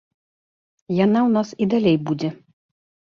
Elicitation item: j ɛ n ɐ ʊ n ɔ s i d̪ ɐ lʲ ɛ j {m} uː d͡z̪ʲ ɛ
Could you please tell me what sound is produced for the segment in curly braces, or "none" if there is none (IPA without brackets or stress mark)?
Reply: b